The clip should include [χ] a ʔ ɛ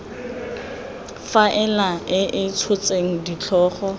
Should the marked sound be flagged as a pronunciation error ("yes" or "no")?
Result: yes